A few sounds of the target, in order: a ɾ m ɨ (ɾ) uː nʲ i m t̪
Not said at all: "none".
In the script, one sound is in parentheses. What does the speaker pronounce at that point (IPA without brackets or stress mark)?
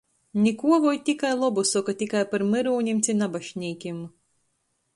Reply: ɾ